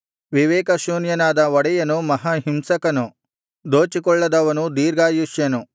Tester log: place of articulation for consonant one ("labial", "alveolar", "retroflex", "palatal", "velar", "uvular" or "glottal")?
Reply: labial